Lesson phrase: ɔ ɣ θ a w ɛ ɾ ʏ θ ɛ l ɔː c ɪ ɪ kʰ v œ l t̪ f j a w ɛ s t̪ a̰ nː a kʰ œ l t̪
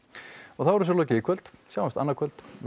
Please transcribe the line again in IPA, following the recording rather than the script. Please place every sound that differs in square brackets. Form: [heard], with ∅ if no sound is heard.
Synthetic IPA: ɔ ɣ θ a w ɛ ɾ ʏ [s] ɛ l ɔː c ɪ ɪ kʰ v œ l t̪ [s] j a w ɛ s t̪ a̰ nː a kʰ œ l t̪